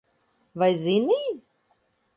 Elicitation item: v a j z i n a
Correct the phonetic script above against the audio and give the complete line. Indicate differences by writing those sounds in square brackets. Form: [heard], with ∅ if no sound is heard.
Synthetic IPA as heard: v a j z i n [i]